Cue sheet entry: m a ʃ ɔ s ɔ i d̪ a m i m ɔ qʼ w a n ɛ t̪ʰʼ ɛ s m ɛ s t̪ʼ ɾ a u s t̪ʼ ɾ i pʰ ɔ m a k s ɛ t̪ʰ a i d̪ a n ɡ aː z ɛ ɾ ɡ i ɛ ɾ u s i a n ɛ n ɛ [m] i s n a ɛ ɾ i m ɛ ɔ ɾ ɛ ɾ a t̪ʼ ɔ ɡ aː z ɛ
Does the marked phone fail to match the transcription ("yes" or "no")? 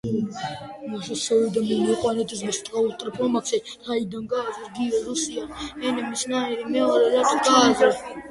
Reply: no